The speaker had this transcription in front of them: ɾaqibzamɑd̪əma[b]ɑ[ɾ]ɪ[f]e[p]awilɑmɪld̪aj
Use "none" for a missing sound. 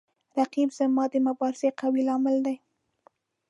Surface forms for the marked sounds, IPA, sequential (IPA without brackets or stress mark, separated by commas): b, ɾ, s, q